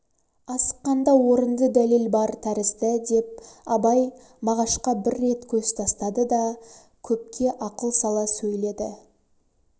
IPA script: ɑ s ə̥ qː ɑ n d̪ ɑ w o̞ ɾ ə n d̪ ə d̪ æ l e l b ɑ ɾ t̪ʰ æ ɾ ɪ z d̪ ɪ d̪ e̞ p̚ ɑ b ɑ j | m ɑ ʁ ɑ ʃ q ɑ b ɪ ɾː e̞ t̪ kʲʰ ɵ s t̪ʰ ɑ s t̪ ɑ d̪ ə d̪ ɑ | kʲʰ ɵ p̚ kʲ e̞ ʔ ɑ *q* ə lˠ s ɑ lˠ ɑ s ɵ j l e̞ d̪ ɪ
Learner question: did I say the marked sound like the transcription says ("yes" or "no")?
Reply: yes